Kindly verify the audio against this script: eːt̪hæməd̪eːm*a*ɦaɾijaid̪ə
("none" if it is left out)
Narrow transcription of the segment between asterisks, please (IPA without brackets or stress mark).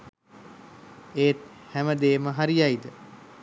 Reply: ə